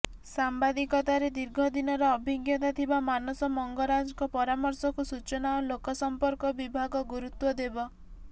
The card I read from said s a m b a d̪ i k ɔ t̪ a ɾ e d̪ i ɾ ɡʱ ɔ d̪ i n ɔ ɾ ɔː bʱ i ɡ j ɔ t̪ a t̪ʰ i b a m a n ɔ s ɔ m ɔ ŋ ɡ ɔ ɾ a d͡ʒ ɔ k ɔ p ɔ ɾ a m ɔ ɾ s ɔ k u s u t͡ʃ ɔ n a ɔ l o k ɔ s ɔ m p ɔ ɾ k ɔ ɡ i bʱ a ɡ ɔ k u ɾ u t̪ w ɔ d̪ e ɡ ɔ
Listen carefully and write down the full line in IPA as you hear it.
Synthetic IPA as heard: s a m b a d̪ i k ɔ t̪ a ɾ e d̪ i ɾ ɡʱ ɔ d̪ i n ɔ ɾ ɔː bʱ i ɡ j ɔ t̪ a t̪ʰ i b a m a n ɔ s ɔ m ɔ ŋ ɡ ɔ ɾ a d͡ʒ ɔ k ɔ p ɔ ɾ a m ɔ ɾ s ɔ k u s u t͡ʃ ɔ n a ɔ l o k ɔ s ɔ m p ɔ ɾ k ɔ b i bʱ a ɡ ɔ ɡ u ɾ u t̪ w ɔ d̪ e b ɔ

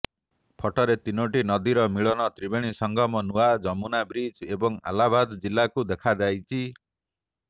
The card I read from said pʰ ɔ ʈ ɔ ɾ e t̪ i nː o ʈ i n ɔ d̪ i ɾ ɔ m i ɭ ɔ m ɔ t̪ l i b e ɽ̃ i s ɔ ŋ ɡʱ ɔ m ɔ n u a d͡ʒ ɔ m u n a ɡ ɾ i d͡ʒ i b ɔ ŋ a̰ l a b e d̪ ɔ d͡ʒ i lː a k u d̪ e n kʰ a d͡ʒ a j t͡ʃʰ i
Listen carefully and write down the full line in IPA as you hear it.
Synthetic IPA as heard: pʰ ɔ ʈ ɔ ɾ e t̪ i n o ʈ i n ɔ d̪ i ɾ ɔ m i ɭ ɔ n ɔ t̪ ɾ i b e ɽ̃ i s ɔ ŋ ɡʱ ɔ m ɔ n u a d͡ʒ ɔ m u n a b ɾ i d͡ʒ e b ɔ ŋ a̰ l a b a d̪ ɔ d͡ʒ i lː a k u d̪ e kʰ a d͡ʒ a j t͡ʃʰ i

